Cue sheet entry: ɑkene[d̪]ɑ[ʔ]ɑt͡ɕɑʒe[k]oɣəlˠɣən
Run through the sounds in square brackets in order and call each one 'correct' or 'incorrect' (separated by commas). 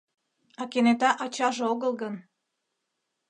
incorrect, correct, incorrect